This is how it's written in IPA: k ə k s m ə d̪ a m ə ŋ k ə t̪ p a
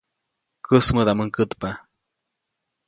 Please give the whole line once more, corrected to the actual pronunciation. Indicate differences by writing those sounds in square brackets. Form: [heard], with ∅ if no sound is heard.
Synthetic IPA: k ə [∅] s m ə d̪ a m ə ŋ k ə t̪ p a